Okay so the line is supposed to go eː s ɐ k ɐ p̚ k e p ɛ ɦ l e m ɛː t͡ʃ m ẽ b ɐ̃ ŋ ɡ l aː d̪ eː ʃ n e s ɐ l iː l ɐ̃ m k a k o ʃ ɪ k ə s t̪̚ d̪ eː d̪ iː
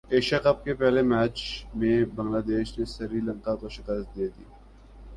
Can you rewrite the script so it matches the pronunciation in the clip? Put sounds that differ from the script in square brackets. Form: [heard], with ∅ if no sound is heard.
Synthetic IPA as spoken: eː [ʃ] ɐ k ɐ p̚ k e p ɛ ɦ l e m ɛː t͡ʃ m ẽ b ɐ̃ ŋ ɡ l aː d̪ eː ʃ n e s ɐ [ɾ] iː l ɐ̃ [ŋ] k a k o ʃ ɪ k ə s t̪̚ d̪ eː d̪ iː